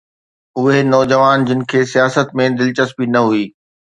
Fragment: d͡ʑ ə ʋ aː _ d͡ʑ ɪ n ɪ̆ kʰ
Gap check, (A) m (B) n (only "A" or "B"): B